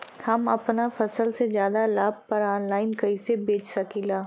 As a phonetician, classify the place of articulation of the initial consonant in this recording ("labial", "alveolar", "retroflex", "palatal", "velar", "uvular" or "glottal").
glottal